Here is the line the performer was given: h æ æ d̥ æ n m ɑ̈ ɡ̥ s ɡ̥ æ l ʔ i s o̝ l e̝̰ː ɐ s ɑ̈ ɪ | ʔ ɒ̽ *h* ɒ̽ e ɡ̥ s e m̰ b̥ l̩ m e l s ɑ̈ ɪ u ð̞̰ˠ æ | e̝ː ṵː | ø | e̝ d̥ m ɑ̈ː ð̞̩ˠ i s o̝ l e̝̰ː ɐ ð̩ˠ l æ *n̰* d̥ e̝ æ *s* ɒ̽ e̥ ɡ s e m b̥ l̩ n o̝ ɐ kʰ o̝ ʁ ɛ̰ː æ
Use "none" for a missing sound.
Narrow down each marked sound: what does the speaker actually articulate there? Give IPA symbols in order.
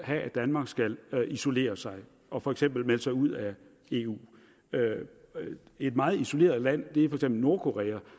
f, n̰, f

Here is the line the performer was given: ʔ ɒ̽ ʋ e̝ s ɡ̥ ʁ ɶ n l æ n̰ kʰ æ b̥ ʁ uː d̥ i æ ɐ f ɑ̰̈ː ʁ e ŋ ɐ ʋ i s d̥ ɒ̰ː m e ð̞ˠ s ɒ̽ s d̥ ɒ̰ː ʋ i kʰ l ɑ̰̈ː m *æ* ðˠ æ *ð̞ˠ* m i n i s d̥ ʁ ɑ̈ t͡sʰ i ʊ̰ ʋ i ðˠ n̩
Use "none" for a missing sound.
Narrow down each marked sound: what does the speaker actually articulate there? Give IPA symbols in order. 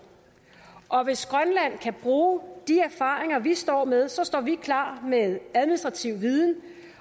e, ð̞ˠ

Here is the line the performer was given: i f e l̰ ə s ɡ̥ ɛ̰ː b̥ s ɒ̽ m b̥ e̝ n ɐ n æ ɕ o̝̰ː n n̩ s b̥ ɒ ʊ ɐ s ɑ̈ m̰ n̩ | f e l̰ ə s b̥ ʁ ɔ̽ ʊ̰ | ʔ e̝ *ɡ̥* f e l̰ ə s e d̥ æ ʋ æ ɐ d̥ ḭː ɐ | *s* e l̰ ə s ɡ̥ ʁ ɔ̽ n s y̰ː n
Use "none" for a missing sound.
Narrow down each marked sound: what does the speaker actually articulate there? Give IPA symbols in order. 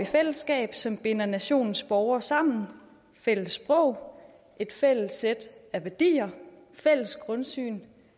d̥, f

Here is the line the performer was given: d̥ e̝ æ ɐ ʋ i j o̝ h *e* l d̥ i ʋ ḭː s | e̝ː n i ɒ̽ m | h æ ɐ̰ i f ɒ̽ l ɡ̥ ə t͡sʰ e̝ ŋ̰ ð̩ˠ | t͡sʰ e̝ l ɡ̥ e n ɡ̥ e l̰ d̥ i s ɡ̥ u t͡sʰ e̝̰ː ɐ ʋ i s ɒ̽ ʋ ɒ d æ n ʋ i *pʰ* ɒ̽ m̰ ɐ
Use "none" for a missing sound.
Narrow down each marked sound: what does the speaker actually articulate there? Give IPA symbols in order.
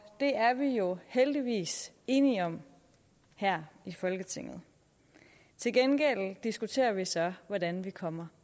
e, kʰ

